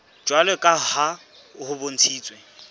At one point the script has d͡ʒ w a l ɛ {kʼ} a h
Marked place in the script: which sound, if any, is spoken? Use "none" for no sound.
kʼ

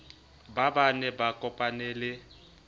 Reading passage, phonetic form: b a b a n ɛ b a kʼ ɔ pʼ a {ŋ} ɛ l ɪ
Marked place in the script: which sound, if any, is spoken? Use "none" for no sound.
n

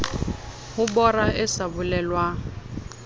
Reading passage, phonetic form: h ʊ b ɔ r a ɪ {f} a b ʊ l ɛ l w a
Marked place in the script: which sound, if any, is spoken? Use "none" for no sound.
s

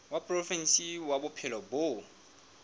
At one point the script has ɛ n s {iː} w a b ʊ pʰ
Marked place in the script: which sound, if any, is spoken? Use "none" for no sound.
i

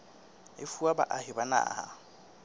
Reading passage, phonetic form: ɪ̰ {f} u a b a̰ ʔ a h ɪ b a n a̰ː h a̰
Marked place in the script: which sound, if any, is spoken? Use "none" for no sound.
f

